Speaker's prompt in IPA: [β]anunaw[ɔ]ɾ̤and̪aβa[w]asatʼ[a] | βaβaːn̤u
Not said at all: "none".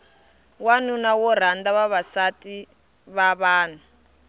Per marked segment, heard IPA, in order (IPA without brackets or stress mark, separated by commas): w, ɔ, β, i